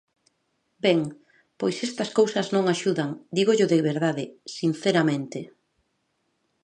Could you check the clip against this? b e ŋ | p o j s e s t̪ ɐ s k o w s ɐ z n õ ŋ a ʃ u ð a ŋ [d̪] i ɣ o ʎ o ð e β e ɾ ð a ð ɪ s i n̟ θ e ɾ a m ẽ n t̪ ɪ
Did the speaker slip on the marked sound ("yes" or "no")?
no